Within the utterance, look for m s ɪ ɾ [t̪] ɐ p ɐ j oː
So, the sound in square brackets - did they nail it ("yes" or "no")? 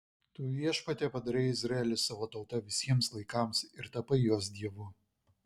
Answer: yes